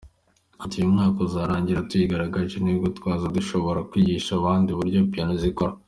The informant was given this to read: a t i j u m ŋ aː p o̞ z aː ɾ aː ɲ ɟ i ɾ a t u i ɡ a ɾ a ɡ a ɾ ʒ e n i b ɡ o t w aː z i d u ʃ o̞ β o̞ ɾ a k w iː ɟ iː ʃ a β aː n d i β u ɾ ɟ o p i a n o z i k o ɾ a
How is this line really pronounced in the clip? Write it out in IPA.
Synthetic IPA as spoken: a t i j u m ŋ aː k o̞ z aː ɾ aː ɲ ɟ i ɾ a t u i ɡ a ɾ a ɡ a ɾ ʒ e n i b ɡ o t w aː z a d u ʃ o̞ β o̞ ɾ a k w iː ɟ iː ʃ a β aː n d i β u ɾ ɟ o p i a n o z i k o ɾ a